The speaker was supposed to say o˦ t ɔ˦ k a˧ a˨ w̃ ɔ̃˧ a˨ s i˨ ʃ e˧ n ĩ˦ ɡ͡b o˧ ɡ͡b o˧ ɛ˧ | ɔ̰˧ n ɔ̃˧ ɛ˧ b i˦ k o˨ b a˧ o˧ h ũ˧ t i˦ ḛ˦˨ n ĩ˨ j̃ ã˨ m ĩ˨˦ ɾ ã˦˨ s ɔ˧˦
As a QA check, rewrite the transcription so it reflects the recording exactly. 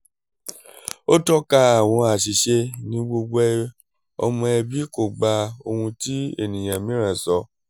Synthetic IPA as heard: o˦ t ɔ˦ k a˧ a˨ w̃ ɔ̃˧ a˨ ʃ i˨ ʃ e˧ n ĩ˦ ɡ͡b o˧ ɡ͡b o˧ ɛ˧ | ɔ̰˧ m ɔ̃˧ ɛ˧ b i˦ k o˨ ɡ͡b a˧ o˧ h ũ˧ t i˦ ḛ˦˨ n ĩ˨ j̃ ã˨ m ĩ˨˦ ɾ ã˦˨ s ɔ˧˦